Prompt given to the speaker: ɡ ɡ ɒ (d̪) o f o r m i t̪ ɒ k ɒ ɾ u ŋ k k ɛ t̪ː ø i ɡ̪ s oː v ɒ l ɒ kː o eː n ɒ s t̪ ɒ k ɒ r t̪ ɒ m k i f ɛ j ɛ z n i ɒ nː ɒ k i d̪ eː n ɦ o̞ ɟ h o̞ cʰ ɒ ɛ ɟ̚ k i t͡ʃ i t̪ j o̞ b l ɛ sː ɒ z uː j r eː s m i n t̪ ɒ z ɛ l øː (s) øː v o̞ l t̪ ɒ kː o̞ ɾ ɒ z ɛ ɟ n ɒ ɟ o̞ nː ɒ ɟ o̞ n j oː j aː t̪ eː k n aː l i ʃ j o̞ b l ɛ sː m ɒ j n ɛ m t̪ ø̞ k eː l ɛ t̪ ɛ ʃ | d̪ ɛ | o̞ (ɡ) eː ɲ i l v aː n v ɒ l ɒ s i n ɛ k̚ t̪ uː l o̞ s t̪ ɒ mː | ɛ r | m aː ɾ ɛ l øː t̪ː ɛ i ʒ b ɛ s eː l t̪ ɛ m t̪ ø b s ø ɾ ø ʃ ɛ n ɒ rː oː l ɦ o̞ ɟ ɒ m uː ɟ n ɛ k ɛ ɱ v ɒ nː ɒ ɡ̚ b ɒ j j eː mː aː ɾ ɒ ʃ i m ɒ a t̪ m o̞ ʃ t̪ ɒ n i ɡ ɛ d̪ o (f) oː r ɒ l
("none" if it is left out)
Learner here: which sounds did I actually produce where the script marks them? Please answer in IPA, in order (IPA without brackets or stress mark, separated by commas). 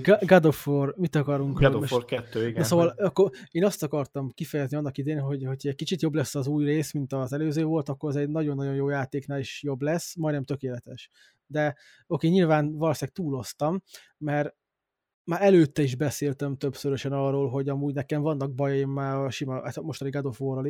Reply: d̪, z, k, f